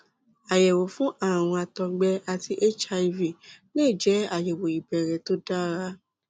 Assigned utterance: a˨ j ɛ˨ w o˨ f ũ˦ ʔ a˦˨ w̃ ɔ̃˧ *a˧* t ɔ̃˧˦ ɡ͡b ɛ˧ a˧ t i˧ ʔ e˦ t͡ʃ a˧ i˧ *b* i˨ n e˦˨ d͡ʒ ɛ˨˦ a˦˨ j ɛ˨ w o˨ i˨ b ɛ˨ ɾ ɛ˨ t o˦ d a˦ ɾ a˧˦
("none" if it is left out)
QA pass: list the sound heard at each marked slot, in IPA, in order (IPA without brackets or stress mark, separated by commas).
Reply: a˧, v